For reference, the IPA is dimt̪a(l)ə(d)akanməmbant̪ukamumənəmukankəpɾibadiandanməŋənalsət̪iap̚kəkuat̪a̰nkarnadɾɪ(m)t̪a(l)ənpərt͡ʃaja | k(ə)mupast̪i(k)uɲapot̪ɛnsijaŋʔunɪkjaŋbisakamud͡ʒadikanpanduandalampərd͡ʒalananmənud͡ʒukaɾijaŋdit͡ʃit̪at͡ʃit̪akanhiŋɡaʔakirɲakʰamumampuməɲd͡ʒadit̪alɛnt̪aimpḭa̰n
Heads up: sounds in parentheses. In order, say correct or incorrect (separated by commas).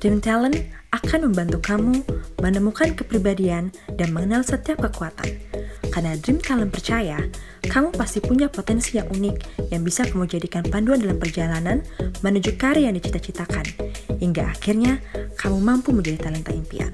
correct, incorrect, correct, correct, incorrect, incorrect